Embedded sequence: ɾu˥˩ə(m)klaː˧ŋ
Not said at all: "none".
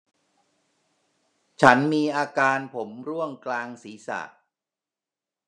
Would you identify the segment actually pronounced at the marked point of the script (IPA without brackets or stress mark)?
ŋ